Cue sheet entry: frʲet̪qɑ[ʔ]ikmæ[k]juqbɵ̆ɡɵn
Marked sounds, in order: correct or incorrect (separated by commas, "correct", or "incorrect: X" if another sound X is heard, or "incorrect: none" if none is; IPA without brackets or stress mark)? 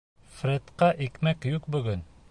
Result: correct, correct